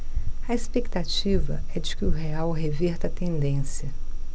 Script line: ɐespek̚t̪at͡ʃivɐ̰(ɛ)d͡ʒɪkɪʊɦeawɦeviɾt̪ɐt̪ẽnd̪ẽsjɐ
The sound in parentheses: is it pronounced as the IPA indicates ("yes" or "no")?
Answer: yes